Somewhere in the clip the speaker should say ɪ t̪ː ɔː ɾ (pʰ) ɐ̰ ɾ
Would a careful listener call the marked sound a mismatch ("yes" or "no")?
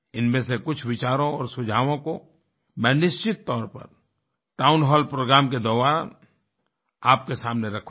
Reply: yes